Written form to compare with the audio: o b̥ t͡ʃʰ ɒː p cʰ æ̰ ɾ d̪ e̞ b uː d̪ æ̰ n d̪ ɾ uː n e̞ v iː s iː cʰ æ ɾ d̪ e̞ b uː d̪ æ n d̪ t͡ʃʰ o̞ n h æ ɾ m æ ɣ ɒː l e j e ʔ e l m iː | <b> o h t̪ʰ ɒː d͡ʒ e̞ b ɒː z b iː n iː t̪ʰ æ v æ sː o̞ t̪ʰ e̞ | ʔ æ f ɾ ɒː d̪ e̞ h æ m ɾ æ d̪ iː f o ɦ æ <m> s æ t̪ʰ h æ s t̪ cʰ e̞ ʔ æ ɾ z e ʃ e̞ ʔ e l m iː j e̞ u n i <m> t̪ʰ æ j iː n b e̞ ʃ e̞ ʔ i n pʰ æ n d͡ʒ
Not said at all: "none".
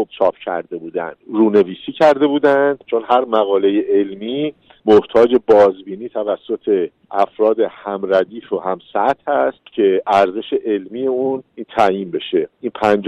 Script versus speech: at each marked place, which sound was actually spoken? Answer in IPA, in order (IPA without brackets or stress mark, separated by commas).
m, m, n